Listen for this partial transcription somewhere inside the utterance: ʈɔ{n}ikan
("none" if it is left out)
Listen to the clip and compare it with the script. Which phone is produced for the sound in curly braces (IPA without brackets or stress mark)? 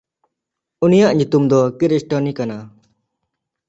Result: n